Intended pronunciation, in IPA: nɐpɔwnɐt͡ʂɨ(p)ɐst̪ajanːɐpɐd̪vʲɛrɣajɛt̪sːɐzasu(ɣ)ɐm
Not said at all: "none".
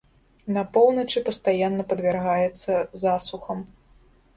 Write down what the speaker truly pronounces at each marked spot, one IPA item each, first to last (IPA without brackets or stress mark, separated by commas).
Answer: p, x